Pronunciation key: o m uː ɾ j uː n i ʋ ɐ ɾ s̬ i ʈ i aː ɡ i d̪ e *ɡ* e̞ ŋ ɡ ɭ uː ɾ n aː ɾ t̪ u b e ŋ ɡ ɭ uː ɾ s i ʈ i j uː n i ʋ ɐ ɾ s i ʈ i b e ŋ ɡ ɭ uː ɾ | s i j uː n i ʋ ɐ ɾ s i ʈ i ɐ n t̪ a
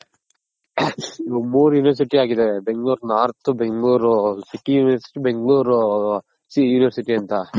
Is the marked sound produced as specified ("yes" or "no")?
no